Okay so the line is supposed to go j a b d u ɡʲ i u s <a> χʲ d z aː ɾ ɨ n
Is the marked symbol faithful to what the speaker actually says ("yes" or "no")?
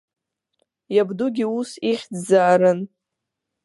no